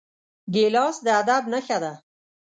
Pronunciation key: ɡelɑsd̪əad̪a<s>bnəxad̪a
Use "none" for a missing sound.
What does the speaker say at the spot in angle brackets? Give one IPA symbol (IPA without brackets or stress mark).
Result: none